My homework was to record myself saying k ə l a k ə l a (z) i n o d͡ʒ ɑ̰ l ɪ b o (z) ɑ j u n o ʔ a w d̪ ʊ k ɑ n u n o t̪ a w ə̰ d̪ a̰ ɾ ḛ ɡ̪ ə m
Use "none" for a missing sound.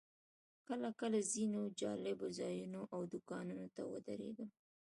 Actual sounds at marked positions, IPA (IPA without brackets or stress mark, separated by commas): z, z